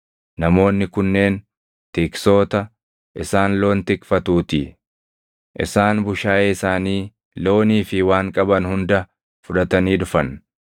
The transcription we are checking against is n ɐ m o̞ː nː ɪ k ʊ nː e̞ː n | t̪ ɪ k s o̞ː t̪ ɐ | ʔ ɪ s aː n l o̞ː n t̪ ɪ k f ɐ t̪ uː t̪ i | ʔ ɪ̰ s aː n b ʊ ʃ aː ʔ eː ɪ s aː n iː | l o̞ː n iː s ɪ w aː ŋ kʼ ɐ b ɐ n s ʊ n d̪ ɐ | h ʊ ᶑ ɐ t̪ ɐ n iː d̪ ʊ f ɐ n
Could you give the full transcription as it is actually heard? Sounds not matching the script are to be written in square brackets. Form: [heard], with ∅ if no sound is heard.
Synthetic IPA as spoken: n ɐ m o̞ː nː ɪ k ʊ nː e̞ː n | t̪ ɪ k s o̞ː t̪ ɐ | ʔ ɪ s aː n l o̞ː n t̪ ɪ k f ɐ t̪ uː t̪ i | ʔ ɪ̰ s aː n b ʊ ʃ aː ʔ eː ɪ s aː n iː | l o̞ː n iː [f] ɪ w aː ŋ kʼ ɐ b ɐ n [h] ʊ n d̪ ɐ | [f] ʊ ᶑ ɐ t̪ ɐ n iː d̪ ʊ f ɐ n